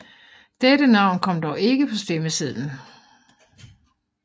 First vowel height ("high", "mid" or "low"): mid